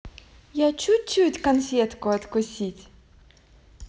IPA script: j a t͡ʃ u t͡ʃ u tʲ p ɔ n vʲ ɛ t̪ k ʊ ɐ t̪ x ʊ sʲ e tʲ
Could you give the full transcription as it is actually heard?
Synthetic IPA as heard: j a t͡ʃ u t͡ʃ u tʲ k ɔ n fʲ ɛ t̪ k ʊ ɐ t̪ k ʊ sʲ i tʲ